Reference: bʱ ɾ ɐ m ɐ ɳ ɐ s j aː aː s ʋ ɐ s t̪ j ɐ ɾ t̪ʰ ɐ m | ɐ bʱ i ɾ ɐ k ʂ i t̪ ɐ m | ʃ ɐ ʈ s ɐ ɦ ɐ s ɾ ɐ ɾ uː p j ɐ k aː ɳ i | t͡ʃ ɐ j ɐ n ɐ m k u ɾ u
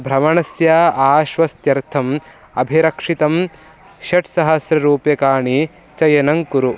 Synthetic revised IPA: bʱ ɾ ɐ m ɐ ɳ ɐ s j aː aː ʃ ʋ ɐ s t̪ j ɐ ɾ t̪ʰ ɐ m | ɐ bʱ i ɾ ɐ k ʂ i t̪ ɐ m | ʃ ɐ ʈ s ɐ ɦ ɐ s ɾ ɐ ɾ uː p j ɐ k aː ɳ i | t͡ʃ ɐ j ɐ n ɐ ŋ k u ɾ u